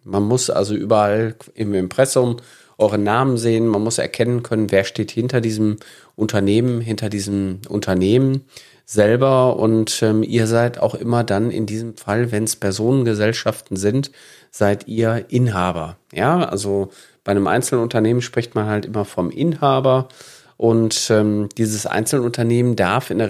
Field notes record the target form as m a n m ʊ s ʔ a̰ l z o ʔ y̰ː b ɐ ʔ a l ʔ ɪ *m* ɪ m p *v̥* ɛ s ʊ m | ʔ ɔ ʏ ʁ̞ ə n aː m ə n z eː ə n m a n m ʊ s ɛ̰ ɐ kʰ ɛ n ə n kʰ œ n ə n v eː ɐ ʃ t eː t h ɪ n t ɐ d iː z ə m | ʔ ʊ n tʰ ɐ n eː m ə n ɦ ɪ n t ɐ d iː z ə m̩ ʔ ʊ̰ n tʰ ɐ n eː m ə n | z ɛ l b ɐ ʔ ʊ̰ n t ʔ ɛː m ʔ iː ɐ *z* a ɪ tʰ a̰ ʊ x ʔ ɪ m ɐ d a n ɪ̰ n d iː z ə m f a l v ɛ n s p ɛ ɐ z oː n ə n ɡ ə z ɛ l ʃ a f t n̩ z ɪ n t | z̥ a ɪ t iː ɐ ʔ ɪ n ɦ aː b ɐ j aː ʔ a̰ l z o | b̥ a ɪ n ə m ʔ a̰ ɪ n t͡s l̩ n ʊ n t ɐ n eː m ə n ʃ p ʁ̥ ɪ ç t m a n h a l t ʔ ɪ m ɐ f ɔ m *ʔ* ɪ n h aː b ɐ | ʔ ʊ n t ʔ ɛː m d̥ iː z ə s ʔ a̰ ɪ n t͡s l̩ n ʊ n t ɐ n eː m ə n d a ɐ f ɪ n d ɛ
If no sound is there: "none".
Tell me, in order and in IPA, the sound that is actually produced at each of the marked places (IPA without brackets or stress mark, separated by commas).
m, ʁ̥, z, ʔ